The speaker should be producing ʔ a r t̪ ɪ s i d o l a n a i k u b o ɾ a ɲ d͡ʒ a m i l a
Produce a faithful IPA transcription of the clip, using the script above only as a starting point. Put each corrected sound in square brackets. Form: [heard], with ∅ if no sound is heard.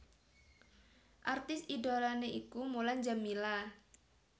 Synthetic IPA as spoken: ʔ a r t̪ ɪ s i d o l a n [e] i k u [m] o [l] a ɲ d͡ʒ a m i l a